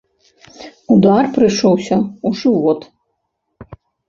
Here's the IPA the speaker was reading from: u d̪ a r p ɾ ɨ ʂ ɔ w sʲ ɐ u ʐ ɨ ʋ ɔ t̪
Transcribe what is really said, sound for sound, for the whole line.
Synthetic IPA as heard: u d̪ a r p ɾ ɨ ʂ ɔ w sʲ ɐ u ʐ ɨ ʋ ɔ t̪